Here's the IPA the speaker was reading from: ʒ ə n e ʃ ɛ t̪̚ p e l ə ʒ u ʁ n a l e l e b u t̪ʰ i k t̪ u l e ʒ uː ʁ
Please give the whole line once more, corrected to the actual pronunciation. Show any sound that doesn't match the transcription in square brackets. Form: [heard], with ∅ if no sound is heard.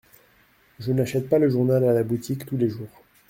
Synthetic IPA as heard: ʒ ə n [a] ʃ ɛ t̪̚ p [a] l ə ʒ u ʁ n a l [a] l [a] b u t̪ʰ i k t̪ u l e ʒ uː ʁ